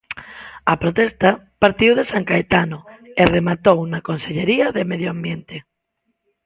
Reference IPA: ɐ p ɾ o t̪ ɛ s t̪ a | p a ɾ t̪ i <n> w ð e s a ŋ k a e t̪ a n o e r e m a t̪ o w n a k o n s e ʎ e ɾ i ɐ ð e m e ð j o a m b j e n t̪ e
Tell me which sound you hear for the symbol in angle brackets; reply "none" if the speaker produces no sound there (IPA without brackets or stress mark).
none